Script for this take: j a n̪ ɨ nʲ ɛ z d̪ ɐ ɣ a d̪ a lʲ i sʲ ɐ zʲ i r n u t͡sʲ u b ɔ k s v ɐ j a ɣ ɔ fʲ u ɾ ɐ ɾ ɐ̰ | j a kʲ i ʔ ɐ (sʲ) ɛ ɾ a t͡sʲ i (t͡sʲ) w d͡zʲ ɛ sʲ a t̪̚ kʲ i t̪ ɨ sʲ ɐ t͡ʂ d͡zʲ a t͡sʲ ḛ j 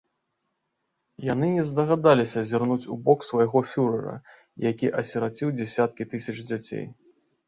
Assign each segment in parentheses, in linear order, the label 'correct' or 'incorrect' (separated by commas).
correct, incorrect